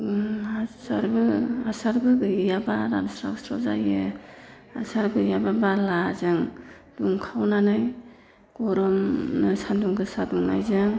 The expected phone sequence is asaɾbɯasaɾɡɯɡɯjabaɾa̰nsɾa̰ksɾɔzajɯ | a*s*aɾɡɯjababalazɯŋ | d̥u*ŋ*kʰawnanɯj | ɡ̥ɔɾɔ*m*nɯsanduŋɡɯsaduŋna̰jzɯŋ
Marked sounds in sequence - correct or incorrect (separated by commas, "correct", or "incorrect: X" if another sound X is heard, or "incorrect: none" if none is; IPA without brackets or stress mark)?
correct, correct, correct